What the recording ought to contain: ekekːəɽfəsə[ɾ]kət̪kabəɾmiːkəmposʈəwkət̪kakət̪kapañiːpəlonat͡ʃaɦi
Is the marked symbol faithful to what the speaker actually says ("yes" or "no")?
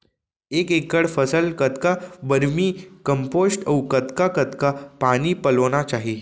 no